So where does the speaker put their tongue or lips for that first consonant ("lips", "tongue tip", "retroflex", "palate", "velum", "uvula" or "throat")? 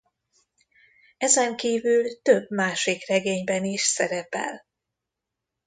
tongue tip